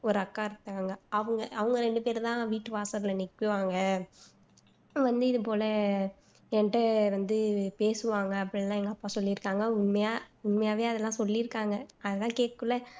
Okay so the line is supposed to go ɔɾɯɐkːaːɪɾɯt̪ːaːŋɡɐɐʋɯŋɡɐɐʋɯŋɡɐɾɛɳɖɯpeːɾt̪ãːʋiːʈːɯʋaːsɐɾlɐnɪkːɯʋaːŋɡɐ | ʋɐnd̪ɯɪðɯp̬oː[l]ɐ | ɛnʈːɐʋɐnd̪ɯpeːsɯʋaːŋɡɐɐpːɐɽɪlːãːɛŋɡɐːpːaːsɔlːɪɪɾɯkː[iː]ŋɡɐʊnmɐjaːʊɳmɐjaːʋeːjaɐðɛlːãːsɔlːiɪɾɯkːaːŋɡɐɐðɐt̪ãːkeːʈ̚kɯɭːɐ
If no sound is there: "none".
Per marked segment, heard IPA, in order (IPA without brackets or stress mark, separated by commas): l, aː